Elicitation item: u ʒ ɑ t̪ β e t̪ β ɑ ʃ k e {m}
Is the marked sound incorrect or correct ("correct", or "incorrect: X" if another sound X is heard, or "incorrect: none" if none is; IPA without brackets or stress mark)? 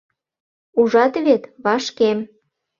correct